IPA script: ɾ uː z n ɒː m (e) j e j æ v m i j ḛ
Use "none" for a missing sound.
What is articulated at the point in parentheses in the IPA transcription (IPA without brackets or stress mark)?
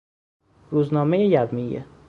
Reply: e